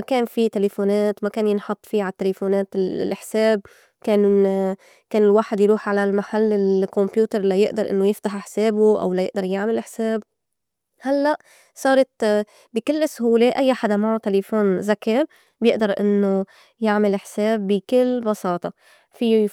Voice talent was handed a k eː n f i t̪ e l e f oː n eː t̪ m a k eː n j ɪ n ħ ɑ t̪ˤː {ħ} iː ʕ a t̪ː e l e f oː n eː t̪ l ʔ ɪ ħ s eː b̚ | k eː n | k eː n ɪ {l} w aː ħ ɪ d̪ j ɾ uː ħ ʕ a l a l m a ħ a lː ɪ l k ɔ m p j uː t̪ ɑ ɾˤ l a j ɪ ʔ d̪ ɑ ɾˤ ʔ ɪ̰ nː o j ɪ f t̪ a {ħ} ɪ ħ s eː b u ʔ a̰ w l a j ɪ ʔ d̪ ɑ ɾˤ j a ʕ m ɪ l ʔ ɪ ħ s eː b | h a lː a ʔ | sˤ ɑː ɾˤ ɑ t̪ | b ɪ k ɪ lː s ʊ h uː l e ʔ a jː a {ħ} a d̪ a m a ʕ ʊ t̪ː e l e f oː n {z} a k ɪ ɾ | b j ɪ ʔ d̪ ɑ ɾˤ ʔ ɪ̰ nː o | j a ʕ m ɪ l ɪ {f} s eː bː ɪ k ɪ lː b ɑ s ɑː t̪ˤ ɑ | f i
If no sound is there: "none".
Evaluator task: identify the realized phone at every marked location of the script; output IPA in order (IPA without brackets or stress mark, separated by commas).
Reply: f, l, ħ, ħ, z, ħ